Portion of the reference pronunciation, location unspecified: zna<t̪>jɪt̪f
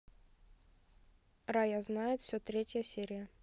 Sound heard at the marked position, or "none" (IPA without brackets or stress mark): none